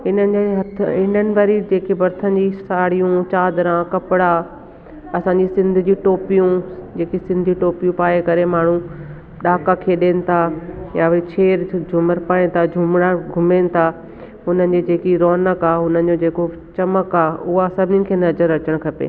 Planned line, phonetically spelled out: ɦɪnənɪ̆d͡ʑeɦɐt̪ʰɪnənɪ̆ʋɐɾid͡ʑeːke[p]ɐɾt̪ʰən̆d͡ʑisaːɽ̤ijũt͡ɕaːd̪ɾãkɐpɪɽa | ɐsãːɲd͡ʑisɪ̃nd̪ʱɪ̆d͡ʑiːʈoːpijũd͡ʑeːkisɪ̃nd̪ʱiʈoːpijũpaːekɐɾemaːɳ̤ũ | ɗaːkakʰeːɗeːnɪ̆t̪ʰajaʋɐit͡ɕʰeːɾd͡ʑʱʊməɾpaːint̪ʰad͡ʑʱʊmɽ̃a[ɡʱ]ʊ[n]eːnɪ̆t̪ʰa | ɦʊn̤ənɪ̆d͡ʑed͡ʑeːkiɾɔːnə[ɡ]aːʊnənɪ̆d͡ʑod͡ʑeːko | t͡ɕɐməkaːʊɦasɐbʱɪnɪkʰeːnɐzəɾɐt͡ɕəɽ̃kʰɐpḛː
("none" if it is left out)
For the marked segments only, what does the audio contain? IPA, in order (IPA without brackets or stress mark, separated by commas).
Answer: b, ɡʱ, m, k